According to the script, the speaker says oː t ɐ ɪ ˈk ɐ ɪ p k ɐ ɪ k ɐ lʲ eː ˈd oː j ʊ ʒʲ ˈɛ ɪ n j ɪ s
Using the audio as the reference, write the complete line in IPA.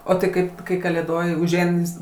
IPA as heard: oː t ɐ ɪ ˈk ɐ ɪ p k ɐ ɪ k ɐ lʲ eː ˈd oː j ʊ ʒʲ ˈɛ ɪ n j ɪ s